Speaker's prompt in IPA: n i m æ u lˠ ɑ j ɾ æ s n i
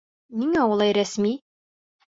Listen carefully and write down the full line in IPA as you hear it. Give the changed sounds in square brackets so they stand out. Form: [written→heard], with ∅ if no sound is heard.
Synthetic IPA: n i [m→ŋ] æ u lˠ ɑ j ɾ æ s [n→m] i